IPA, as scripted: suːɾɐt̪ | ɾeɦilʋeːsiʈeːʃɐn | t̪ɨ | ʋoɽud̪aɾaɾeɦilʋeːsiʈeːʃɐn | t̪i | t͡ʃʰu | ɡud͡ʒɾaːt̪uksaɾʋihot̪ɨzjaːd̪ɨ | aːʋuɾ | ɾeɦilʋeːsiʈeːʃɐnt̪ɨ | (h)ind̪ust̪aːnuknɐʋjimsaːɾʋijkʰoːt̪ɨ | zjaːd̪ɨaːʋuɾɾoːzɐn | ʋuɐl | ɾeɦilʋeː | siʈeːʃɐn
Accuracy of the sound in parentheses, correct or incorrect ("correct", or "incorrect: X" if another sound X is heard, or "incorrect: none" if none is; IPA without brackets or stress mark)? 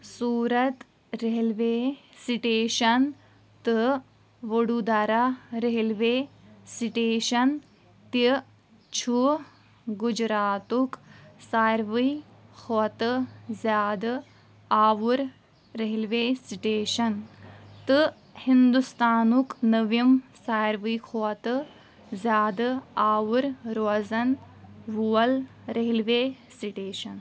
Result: correct